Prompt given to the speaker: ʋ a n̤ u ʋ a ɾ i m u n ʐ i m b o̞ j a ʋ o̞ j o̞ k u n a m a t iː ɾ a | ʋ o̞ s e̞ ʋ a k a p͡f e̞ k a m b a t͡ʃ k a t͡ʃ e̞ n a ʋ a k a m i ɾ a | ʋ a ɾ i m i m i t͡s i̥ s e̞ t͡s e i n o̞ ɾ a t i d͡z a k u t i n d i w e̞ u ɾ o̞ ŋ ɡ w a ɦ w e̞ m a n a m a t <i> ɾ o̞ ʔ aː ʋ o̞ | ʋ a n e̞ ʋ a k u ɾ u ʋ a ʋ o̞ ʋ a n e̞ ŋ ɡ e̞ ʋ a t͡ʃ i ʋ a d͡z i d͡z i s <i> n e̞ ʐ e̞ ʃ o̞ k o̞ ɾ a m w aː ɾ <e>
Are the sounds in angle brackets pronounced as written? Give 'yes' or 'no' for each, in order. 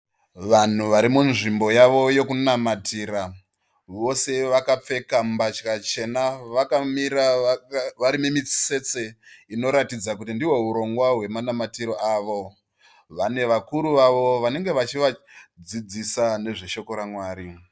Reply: yes, no, no

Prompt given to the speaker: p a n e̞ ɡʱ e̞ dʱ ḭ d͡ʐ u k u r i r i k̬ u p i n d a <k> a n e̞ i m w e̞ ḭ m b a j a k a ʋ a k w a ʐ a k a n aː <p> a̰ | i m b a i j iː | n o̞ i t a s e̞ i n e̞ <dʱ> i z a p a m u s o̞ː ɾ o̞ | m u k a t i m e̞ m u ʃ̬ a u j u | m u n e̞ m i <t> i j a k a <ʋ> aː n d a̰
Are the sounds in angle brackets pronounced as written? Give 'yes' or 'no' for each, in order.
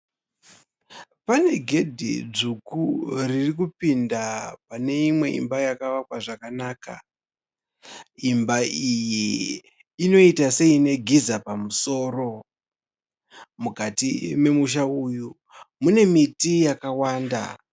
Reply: no, no, no, yes, no

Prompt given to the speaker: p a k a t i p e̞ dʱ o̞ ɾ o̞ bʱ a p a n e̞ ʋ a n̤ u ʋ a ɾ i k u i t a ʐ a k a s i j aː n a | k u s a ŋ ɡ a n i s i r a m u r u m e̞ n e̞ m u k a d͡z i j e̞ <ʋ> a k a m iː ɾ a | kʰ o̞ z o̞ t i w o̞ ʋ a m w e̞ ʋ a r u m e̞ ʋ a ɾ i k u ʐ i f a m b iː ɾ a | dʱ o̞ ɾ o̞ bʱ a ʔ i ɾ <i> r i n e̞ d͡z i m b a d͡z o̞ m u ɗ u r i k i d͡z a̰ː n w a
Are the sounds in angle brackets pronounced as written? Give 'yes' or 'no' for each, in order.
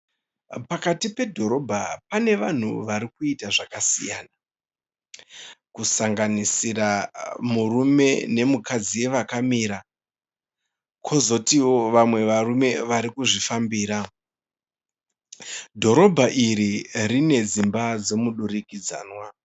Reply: yes, yes

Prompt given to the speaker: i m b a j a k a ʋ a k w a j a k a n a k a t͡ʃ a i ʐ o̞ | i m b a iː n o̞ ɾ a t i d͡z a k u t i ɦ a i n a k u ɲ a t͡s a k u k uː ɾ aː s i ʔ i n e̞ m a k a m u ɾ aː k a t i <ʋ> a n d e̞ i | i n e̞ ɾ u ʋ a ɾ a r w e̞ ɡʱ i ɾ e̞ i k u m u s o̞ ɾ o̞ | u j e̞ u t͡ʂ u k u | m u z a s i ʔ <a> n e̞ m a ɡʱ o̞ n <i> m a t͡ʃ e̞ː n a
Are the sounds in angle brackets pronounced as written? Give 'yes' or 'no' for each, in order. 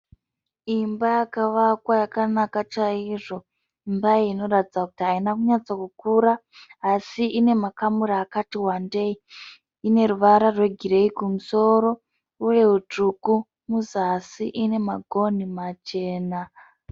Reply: no, no, yes

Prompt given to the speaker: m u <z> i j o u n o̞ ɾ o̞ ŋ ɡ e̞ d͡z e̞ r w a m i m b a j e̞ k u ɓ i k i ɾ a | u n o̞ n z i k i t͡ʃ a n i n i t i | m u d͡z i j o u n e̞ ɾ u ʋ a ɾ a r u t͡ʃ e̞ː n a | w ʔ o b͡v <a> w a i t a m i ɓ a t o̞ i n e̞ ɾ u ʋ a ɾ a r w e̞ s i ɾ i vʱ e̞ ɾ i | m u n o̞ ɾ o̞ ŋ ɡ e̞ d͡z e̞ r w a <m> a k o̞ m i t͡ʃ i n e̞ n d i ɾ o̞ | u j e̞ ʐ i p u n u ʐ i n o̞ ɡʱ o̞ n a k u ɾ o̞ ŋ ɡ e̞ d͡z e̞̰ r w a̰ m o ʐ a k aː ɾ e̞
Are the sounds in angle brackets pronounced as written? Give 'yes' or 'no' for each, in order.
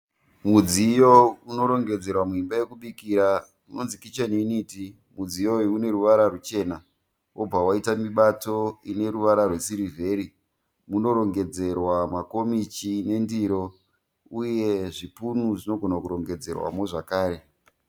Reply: no, yes, yes

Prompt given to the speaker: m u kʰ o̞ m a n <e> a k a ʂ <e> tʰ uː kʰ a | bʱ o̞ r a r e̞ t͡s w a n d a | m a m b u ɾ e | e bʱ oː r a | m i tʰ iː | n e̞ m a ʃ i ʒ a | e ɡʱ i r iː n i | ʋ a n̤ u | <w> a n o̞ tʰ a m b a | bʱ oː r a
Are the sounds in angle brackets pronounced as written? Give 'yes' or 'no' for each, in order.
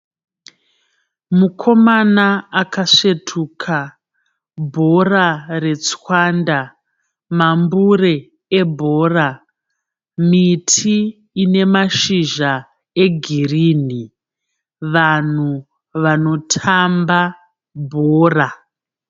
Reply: no, yes, no

